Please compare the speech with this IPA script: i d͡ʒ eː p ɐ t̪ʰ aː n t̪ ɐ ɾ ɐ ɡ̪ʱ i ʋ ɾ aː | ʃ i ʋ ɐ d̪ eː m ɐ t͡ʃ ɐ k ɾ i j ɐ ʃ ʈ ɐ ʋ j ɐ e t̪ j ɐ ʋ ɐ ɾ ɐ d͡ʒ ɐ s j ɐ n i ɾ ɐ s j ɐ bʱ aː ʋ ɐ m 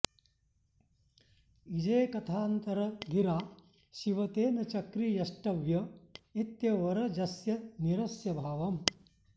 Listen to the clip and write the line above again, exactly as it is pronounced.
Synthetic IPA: i d͡ʒ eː k ɐ t̪ʰ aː n t̪ ɐ ɾ ɐ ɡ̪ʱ i ɾ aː | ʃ i ʋ ɐ t̪ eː n ɐ t͡ʃ ɐ k ɾ i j ɐ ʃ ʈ ɐ ʋ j ɐ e t̪ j ɐ ʋ ɐ ɾ ɐ d͡ʒ ɐ s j ɐ n i ɾ ɐ s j ɐ bʱ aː ʋ ɐ m

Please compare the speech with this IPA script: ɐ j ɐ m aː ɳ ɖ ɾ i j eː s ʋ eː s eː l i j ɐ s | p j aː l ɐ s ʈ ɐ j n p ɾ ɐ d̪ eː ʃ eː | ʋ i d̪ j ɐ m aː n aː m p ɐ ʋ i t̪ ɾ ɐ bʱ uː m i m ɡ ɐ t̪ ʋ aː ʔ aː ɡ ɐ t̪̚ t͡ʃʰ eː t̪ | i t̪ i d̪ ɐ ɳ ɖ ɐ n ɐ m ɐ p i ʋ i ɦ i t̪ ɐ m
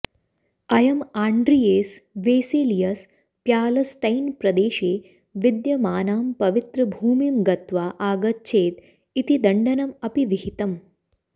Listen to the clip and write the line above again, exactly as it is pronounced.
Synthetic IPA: ɐ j ɐ m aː ɳ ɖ ɾ i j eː s ʋ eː s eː l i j ɐ s | p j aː l ɐ s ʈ ɐ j n p ɾ ɐ d̪ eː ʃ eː | ʋ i d̪ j ɐ m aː n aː m p ɐ ʋ i t̪ ɾ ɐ bʱ uː m i m ɡ ɐ t̪ ʋ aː ʔ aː ɡ ɐ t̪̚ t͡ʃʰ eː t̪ | i t̪ i d̪ ɐ ɳ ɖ ɐ n ɐ m ɐ p i ʋ i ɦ i t̪ ɐ m

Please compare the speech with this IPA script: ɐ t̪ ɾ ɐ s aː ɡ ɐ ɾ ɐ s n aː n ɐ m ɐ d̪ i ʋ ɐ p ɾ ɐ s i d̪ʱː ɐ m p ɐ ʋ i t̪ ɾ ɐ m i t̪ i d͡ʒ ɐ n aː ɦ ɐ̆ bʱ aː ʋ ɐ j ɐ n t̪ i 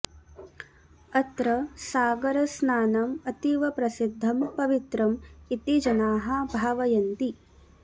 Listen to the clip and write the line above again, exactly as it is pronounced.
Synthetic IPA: ɐ t̪ ɾ ɐ s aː ɡ ɐ ɾ ɐ s n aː n ɐ m ɐ t̪ i ʋ ɐ p ɾ ɐ s i d̪ʱː ɐ m p ɐ ʋ i t̪ ɾ ɐ m i t̪ i d͡ʒ ɐ n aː ɦ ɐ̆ bʱ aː ʋ ɐ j ɐ n t̪ i

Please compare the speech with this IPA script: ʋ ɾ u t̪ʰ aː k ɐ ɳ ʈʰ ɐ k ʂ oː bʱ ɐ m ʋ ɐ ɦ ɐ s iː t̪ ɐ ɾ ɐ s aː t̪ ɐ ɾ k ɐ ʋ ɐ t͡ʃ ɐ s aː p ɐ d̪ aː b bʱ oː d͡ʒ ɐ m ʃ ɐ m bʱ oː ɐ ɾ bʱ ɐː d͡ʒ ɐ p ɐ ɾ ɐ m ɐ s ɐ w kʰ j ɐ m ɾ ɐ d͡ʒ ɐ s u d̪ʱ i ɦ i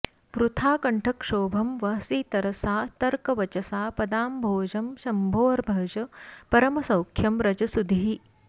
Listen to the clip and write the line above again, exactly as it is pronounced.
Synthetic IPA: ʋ ɾ u t̪ʰ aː k ɐ ɳ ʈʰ ɐ k ʂ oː bʱ ɐ m ʋ ɐ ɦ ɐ s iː t̪ ɐ ɾ ɐ s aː t̪ ɐ ɾ k ɐ ʋ ɐ t͡ʃ ɐ s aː p ɐ d̪ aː m bʱ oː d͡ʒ ɐ m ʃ ɐ m bʱ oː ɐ ɾ bʱ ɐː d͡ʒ ɐ p ɐ ɾ ɐ m ɐ s ɐ w kʰ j ɐ m ɾ ɐ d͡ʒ ɐ s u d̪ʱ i ɦ i

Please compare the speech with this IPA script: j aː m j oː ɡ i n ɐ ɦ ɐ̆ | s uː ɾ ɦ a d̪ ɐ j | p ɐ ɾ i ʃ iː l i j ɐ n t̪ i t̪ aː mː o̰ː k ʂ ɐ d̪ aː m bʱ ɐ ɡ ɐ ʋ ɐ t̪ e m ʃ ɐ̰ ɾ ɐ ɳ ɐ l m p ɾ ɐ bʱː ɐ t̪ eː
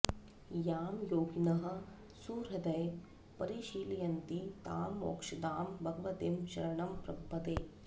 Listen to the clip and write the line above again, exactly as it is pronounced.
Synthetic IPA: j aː m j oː ɡ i n ɐ ɦ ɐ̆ | s uː ɾ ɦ ɐ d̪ ɐ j | p ɐ ɾ i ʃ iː l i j ɐ n t̪ i t̪ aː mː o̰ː k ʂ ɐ d̪ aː m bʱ ɐ ɡ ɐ ʋ ɐ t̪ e m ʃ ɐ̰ ɾ ɐ ɳ ɐ m p ɾ ɐ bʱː ɐ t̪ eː

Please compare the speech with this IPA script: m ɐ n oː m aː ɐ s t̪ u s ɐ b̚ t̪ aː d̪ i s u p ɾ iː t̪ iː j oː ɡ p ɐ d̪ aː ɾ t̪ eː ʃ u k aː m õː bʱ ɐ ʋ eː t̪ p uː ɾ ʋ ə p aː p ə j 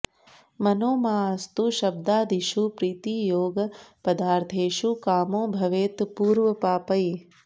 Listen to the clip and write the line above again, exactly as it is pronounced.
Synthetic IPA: m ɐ n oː m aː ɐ s t̪ u ʃ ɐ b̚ d̪ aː d̪ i ʃ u p ɾ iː t̪ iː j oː ɡ p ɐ d̪ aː ɾ t̪ʰ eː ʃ u k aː m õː bʱ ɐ ʋ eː t̪ p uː ɾ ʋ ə p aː p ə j

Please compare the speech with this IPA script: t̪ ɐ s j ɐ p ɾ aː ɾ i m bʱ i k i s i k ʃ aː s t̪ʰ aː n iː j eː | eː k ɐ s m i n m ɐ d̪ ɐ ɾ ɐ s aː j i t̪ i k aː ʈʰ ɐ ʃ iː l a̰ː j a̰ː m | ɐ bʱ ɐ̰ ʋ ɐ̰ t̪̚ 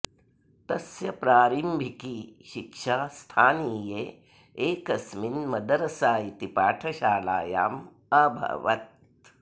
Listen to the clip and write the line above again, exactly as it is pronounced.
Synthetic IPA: t̪ ɐ s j ɐ p ɾ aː ɾ i m bʱ i k i ʃ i k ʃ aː s t̪ʰ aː n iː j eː | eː k ɐ s m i n m ɐ d̪ ɐ ɾ ɐ s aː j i t̪ i p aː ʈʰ ɐ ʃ aː l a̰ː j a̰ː m | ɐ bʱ ɐ̰ ʋ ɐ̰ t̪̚

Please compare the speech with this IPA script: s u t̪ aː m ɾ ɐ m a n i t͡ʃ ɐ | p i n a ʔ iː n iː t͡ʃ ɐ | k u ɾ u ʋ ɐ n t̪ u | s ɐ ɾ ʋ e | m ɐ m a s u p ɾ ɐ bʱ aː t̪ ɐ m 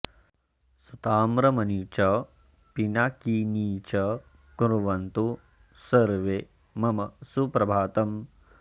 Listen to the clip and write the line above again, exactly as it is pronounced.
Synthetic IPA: s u t̪ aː m ɾ ɐ m ɐ n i t͡ʃ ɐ | p i n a k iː n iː t͡ʃ ɐ | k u ɾ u ʋ ɐ n t̪ u | s ɐ ɾ ʋ e | m ɐ m ɐ s u p ɾ ɐ bʱ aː t̪ ɐ m

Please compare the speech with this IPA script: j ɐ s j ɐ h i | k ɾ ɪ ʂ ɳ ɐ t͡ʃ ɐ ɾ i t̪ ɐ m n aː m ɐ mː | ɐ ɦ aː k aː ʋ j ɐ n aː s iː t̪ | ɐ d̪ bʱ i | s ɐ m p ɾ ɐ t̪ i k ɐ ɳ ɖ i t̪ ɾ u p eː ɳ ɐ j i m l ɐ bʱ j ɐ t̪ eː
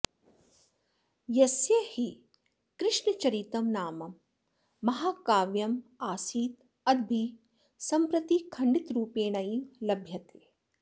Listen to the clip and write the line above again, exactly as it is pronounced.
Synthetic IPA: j ɐ s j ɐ h i | k ɾ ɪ ʂ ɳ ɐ t͡ʃ ɐ ɾ i t̪ ɐ m n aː m ɐ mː | ɐ ɦ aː k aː ʋ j ɐ m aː s iː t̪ | ɐ d̪ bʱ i | s ɐ m p ɾ ɐ t̪ i kʰ ɐ ɳ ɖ i t̪ ɾ uː p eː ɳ ɐ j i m l ɐ bʱ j ɐ t̪ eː

